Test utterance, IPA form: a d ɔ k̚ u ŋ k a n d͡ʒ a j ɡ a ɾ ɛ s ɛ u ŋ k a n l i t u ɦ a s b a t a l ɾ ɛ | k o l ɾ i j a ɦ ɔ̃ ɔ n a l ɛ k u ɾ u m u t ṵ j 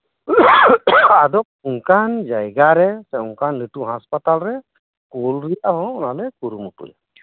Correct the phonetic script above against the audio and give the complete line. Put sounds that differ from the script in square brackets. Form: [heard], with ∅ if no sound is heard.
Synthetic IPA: a d ɔ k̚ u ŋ k a n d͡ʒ a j ɡ a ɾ ɛ s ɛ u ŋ k a n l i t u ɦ a s [p] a t a l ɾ ɛ | k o l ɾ i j a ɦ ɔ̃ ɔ n a l ɛ k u ɾ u m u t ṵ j